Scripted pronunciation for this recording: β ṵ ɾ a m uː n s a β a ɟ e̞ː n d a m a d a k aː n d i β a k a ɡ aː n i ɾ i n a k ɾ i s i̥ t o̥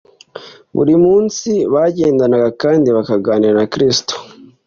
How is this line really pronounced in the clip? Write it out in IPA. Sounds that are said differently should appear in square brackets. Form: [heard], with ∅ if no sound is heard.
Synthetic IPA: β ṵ ɾ [i] m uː n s [i] β a ɟ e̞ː n d a [n] a [ɡ] a k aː n d i β a k a ɡ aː n i ɾ [a] n a k ɾ i s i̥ t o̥